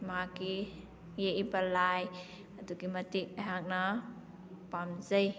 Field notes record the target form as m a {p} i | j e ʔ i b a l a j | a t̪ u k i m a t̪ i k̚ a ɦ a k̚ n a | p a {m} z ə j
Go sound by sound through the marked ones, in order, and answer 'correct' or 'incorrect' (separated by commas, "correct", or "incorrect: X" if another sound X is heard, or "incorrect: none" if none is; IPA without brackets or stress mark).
incorrect: k, correct